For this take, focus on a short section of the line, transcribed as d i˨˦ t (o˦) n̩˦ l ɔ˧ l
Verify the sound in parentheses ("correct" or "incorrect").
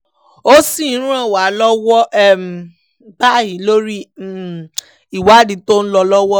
correct